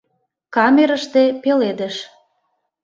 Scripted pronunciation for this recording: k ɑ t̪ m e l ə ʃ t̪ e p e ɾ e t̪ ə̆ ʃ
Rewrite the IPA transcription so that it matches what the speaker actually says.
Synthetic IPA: k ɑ m e ɾ ə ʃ t̪ e p e l e d̪ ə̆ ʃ